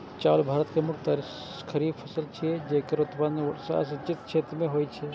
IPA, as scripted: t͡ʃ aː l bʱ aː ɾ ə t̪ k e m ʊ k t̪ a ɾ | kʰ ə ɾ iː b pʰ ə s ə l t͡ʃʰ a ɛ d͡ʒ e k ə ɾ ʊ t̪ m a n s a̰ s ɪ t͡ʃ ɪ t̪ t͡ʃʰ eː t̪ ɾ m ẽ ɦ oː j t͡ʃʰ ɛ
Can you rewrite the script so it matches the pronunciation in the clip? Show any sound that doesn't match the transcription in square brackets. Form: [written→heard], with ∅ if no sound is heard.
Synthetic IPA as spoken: t͡ʃ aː l bʱ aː ɾ ə t̪ k e m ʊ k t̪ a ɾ | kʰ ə ɾ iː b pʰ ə s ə l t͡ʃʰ [a→i] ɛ d͡ʒ e k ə ɾ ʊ t̪ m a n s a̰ s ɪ t͡ʃ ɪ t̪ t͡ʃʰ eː t̪ ɾ m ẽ ɦ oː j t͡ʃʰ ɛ